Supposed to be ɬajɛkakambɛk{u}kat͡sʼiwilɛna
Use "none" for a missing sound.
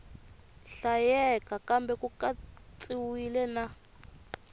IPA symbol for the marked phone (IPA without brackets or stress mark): u